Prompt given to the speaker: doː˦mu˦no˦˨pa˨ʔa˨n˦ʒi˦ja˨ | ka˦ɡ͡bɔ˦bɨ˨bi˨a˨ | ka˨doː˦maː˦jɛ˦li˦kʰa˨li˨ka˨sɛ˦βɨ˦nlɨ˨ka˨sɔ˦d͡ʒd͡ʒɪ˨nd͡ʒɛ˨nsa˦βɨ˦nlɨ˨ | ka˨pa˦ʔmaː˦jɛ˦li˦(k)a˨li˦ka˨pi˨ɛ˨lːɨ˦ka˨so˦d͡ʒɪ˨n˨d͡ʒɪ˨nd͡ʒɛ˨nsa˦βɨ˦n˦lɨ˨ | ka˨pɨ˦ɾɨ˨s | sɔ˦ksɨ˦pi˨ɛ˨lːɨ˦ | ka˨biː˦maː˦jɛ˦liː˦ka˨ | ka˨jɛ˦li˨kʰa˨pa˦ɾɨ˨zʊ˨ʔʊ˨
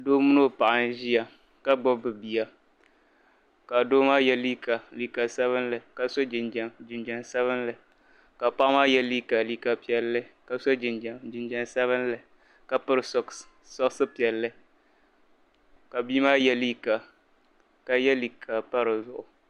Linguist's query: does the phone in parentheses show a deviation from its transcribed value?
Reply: no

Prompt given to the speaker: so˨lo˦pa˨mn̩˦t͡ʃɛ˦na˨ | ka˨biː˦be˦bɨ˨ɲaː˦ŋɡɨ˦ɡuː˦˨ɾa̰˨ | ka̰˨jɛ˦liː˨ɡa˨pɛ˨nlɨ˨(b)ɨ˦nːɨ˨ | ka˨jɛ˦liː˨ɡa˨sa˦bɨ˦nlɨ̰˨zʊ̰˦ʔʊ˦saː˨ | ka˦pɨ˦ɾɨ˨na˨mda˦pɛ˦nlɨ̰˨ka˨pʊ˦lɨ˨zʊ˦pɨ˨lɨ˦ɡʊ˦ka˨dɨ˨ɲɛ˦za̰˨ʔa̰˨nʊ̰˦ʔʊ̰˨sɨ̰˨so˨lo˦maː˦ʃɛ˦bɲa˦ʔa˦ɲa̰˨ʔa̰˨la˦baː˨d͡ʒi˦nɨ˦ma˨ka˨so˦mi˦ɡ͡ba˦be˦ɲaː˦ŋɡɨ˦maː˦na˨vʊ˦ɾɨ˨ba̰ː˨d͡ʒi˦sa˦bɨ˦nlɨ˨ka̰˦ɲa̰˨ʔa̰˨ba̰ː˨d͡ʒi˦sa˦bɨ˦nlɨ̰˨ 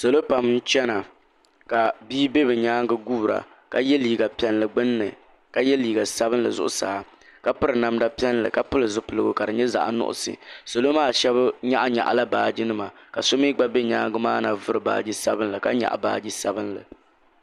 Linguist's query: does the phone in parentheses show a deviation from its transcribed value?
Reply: yes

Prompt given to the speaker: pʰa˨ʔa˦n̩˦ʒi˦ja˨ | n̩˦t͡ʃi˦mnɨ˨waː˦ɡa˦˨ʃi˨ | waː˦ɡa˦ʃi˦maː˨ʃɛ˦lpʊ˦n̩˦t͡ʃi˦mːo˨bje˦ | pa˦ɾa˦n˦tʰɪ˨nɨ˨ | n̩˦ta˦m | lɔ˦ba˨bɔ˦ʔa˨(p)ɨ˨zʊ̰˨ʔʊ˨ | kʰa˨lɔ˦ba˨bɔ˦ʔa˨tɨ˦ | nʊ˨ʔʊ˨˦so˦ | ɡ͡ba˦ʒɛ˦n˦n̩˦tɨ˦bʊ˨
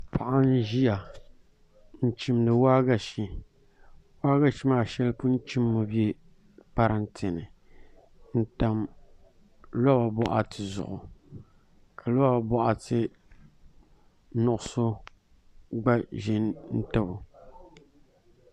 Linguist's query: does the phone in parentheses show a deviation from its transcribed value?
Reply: yes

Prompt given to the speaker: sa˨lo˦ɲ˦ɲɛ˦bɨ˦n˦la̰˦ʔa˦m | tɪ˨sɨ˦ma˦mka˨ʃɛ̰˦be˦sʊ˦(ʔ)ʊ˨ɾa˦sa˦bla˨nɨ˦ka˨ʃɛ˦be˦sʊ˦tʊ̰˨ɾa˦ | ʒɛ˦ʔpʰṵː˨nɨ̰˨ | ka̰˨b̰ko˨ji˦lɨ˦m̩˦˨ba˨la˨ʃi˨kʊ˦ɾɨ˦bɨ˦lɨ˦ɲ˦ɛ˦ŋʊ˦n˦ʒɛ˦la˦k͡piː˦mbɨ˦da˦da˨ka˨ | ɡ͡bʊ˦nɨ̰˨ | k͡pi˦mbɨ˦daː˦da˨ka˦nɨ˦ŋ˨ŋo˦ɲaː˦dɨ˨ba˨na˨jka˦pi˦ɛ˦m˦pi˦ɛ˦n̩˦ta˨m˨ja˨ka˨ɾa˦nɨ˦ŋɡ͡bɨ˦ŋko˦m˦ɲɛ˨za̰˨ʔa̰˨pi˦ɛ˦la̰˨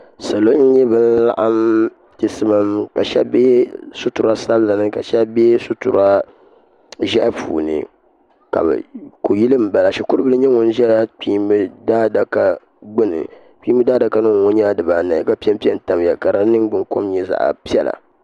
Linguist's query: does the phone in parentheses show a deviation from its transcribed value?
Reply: yes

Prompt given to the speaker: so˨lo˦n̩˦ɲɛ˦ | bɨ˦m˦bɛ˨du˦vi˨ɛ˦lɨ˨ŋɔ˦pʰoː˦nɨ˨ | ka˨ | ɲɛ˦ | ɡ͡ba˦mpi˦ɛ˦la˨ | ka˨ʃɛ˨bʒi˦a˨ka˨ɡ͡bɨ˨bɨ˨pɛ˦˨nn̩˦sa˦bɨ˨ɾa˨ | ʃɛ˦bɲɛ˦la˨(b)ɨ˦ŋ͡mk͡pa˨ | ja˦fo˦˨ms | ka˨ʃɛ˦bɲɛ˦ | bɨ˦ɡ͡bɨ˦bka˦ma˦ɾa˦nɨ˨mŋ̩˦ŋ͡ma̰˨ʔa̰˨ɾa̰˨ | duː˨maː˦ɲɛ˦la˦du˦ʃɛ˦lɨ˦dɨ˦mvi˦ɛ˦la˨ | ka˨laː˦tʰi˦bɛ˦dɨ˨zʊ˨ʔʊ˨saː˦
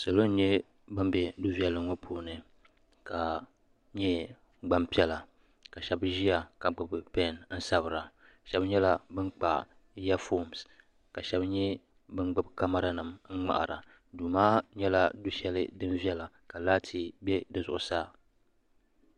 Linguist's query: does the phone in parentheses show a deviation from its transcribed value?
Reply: no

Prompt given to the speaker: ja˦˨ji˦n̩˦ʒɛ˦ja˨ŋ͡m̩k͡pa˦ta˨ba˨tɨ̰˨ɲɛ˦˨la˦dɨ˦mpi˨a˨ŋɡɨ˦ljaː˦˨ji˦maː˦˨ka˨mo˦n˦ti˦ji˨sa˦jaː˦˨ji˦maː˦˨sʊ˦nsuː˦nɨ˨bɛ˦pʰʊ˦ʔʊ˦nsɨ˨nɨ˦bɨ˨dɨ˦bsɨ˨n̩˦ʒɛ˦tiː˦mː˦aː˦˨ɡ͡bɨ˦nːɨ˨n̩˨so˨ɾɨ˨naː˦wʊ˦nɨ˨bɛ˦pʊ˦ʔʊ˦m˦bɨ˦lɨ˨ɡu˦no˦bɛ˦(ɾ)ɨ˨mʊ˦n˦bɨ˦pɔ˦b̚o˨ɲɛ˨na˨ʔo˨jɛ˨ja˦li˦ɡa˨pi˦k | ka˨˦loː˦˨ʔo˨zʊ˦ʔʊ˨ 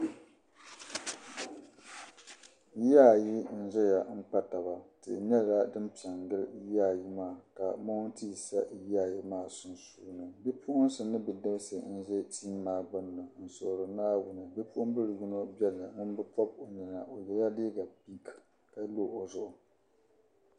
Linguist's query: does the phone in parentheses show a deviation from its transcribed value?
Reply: yes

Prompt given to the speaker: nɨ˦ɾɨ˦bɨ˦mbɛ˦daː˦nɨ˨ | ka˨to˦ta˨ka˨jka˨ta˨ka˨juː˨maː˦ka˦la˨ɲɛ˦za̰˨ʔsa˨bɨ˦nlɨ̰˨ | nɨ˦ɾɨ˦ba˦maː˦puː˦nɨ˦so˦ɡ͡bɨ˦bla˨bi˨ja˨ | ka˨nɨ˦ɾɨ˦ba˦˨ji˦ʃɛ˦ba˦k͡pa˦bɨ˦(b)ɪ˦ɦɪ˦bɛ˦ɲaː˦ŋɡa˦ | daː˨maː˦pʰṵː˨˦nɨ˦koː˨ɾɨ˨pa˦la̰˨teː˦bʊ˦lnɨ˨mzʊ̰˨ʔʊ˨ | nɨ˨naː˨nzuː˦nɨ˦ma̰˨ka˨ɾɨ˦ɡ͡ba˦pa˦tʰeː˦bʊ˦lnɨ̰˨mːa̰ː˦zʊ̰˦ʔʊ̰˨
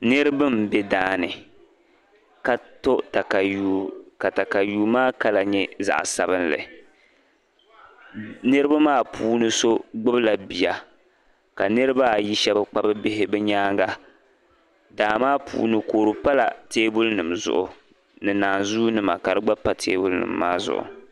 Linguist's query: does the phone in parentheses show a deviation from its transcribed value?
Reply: no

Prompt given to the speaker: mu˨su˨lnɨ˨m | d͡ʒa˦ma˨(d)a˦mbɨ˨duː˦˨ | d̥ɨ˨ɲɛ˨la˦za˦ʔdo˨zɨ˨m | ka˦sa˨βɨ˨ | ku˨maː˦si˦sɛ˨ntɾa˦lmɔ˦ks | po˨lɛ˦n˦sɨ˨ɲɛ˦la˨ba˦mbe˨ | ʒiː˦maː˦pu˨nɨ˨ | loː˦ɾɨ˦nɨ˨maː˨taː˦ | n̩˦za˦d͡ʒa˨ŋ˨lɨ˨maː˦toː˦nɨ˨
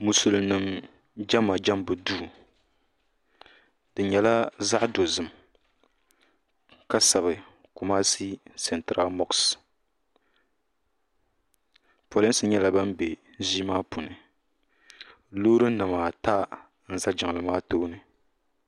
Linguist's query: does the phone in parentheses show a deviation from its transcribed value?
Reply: yes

